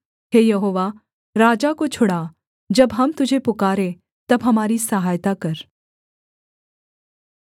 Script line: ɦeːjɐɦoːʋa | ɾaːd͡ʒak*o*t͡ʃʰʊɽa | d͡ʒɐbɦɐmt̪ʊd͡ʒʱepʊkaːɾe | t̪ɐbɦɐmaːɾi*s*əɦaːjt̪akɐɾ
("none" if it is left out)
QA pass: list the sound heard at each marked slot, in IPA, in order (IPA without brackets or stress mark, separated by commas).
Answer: o, s